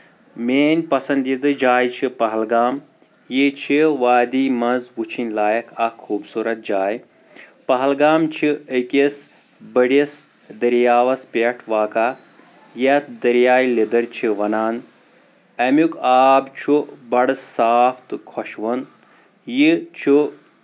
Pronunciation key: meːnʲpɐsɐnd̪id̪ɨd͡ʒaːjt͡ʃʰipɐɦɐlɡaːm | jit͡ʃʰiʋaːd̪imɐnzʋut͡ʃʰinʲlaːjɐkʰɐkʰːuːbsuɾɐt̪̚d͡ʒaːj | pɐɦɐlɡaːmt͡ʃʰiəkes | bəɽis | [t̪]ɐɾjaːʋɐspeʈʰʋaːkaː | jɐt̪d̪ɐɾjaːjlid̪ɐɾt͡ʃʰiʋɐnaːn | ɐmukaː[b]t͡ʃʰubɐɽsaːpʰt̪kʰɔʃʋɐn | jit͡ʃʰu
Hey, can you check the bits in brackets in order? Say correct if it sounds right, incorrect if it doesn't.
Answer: incorrect: d̪, correct

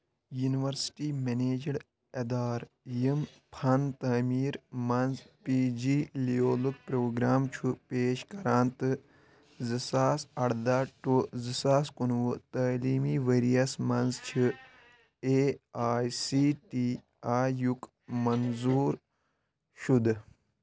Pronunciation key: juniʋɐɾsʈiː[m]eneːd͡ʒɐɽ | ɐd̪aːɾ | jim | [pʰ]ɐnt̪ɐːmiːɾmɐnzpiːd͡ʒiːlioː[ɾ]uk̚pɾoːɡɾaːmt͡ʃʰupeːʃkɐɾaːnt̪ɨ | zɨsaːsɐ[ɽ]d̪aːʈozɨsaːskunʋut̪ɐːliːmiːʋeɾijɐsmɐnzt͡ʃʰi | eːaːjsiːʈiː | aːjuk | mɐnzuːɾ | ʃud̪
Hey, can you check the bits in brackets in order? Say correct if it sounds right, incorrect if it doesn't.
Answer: correct, correct, incorrect: l, correct

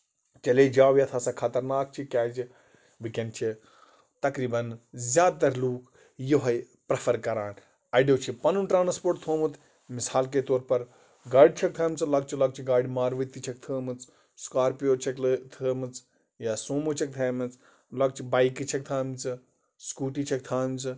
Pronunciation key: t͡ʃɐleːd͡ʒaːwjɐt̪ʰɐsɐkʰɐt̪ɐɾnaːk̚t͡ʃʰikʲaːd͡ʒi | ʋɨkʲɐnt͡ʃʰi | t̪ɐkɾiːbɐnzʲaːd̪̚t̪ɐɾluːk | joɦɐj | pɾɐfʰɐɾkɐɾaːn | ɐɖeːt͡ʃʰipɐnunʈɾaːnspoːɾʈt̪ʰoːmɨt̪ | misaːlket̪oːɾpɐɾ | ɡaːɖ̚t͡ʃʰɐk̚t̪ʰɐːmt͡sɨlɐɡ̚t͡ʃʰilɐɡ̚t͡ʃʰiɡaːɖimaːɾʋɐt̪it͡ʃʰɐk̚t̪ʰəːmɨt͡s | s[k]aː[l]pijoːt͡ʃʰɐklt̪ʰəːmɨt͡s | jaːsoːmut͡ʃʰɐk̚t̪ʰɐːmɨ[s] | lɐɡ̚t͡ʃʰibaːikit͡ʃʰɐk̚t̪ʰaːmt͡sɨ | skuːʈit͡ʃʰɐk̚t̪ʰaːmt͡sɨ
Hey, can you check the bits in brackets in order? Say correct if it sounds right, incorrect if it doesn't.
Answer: correct, incorrect: ɾ, incorrect: t͡s

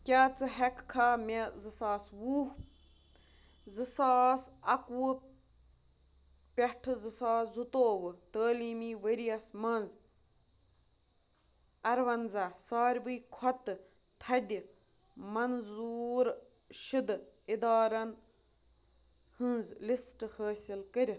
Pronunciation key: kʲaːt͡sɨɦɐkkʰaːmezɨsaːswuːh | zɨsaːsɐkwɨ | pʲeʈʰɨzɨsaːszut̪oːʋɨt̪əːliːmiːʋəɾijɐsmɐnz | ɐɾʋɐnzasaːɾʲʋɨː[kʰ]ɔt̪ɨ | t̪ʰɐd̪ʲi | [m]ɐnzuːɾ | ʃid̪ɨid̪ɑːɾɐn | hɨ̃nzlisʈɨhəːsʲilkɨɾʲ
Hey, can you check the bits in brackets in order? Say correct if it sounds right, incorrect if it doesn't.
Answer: correct, correct

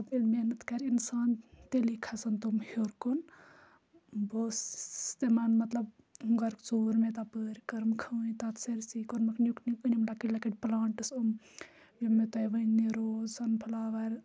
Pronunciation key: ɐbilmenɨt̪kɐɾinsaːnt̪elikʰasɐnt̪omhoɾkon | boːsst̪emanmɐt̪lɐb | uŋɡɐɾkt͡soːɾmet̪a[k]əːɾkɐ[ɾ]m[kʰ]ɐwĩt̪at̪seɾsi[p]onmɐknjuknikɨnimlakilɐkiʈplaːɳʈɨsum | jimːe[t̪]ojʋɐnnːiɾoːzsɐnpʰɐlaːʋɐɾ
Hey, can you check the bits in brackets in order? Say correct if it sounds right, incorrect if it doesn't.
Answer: incorrect: p, correct, correct, incorrect: k, correct

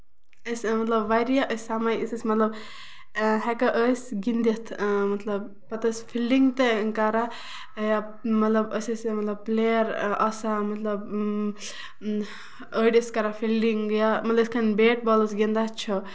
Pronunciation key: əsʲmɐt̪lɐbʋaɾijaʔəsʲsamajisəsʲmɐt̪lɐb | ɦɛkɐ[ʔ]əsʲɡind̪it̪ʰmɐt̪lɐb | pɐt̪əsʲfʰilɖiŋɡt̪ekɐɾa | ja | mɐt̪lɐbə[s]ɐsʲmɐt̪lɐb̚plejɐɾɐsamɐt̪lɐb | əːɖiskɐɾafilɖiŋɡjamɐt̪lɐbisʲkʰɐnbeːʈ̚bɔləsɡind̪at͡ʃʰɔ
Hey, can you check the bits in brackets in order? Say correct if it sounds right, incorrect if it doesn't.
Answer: correct, correct

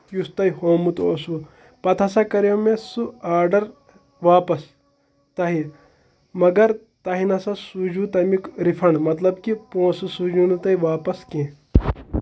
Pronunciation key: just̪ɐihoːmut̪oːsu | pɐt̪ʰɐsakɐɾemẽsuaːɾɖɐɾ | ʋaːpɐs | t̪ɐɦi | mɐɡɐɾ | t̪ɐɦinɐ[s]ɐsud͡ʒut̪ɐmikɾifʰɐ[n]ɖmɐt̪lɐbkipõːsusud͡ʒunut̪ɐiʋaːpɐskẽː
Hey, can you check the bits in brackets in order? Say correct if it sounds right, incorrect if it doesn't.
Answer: correct, incorrect: ɳ

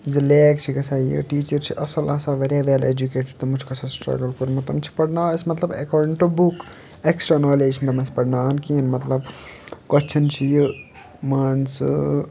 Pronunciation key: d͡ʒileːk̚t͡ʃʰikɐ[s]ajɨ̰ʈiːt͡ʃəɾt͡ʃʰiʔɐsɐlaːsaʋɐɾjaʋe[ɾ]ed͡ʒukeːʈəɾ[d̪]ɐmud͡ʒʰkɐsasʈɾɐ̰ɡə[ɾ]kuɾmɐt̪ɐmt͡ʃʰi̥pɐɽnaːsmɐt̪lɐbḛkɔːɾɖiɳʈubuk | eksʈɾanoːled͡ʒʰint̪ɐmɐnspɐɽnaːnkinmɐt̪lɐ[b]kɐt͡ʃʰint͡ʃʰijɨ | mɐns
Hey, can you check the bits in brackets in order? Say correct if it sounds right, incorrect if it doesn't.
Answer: correct, incorrect: l, incorrect: t̪, incorrect: l, correct

